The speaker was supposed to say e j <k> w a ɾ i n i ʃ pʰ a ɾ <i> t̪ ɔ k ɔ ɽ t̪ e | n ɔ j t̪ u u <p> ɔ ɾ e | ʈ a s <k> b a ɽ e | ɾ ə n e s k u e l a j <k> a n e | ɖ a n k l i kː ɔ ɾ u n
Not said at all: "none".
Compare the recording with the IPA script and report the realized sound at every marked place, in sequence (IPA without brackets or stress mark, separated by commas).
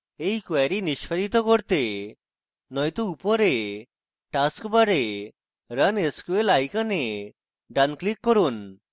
k, i, p, k, k